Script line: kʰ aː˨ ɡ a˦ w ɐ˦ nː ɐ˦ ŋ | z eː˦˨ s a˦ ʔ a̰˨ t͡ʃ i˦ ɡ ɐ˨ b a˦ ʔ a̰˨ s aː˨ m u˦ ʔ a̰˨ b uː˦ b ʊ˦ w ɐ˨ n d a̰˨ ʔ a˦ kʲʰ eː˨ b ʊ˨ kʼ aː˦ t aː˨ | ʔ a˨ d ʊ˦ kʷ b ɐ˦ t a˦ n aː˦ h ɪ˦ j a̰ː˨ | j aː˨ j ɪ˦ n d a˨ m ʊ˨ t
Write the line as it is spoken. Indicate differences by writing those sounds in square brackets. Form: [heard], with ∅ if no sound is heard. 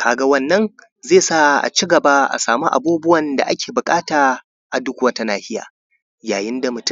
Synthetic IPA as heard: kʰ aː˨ ɡ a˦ w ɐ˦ nː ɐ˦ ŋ | z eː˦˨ s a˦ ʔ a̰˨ t͡ʃ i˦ ɡ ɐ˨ b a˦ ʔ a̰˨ s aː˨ m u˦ ʔ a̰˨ b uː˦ b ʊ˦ w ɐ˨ n d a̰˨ ʔ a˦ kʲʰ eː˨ b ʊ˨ kʼ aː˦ t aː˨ | ʔ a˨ d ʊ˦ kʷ [w] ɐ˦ t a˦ n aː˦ h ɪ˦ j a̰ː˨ | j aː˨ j ɪ˦ n d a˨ m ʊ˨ t